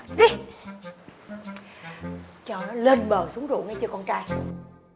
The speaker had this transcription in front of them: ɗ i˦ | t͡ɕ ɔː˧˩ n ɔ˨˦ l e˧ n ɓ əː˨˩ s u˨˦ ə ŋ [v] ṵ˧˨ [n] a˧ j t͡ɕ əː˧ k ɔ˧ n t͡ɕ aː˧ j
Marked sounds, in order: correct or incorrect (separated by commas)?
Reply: incorrect, incorrect